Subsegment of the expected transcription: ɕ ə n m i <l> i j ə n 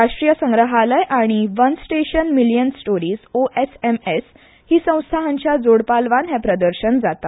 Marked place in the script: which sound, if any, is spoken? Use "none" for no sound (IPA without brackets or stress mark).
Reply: l